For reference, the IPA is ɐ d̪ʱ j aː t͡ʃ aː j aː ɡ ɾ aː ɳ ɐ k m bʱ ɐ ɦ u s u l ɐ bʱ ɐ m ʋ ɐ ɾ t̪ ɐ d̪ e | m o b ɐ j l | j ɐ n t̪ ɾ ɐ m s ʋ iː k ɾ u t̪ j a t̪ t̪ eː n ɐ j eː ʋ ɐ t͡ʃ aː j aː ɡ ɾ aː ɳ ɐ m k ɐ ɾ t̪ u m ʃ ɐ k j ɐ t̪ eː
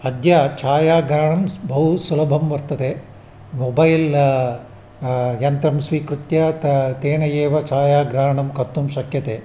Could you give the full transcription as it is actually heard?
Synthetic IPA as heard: ɐ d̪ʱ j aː t͡ʃ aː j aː ɡ ɾ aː ɳ ɐ m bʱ ɐ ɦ u s u l ɐ bʱ ɐ m ʋ ɐ ɾ t̪ ɐ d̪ e | m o b ɐ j l | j ɐ n t̪ ɾ ɐ m s ʋ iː k ɾ u t̪ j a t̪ t̪ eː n ɐ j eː ʋ ɐ t͡ʃ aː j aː ɡ ɾ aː ɳ ɐ m k ɐ ɾ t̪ u m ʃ ɐ k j ɐ t̪ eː